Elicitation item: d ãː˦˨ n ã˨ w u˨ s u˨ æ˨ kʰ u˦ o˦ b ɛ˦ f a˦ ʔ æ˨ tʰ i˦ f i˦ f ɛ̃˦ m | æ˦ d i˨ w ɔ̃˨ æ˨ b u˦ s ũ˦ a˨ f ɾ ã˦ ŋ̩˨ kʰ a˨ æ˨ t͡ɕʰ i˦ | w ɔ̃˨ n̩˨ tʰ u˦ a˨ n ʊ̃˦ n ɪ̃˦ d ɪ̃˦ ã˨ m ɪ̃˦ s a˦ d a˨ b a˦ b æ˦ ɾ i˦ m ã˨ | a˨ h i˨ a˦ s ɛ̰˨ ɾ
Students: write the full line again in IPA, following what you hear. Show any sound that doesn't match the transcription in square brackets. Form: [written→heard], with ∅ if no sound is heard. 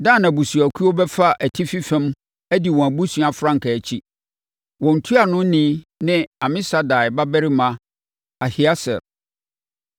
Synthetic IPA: d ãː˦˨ n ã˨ [w→b] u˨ s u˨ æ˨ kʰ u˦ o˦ b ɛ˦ f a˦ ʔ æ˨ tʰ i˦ f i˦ f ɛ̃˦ m | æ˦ d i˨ w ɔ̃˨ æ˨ b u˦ s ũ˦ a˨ f ɾ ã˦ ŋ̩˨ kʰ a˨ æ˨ t͡ɕʰ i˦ | w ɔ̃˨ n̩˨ tʰ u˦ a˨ n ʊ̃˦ n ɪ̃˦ [d→n] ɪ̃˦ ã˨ m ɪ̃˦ s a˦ d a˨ b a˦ b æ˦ ɾ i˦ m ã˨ | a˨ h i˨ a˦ s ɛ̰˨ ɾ